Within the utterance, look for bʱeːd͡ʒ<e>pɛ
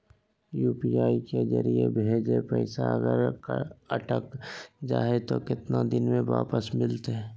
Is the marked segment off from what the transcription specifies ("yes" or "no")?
no